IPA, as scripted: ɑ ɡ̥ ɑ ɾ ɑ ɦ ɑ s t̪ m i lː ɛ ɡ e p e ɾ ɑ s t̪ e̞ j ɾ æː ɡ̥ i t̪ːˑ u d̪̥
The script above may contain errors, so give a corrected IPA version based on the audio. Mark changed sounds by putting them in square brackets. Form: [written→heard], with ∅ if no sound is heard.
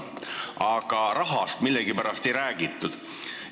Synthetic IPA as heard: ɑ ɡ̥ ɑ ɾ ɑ ɦ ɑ s t̪ m i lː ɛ ɡ [e→i] p [e→æ] ɾ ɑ s t̪ e̞ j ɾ æː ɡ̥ i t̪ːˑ u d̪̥